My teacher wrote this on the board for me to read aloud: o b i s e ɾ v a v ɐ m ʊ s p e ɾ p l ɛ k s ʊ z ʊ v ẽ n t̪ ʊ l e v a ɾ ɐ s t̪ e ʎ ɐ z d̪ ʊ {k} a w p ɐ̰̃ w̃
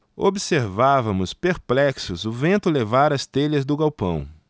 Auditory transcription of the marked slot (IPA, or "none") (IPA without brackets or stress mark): ɡ